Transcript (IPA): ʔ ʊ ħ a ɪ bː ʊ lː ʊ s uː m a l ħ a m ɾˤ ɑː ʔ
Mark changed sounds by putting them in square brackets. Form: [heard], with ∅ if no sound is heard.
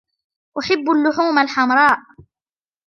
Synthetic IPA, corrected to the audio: ʔ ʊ ħ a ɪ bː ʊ lː ʊ [ħ] uː m a l ħ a m ɾˤ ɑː ʔ

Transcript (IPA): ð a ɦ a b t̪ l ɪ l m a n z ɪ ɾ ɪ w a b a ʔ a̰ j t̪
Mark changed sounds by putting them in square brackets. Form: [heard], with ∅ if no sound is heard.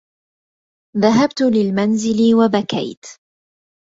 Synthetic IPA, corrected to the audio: ð a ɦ a b t̪ l ɪ l m a n z ɪ [l] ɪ w a b a [k] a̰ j t̪

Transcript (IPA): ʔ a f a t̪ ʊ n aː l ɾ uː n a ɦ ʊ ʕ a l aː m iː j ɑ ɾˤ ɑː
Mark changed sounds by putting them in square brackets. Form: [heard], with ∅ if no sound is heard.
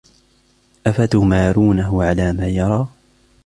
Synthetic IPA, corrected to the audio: ʔ a f a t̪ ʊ [m] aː [∅] ɾ uː n a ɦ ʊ ʕ a l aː m [aː] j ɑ ɾˤ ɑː

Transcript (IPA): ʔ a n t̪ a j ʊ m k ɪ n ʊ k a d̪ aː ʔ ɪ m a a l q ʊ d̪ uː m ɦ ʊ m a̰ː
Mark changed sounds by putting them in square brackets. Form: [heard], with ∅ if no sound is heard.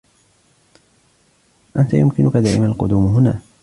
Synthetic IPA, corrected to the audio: ʔ a n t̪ a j ʊ m k ɪ n ʊ k a d̪ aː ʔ ɪ m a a l q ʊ d̪ uː m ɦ ʊ [n] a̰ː

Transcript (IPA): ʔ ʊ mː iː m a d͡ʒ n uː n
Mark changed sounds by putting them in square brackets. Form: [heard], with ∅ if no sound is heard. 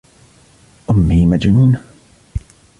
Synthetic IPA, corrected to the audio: ʔ ʊ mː iː m a d͡ʒ n uː n

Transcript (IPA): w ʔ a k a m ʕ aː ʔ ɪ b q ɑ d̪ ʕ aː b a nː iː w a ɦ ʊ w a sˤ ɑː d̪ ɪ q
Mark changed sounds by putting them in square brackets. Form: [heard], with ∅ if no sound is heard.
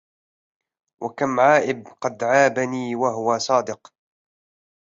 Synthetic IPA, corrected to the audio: w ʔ a k a m ʕ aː ʔ ɪ b q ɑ d̪ ʕ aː b a [n] iː w a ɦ ʊ w a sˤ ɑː d̪ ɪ q

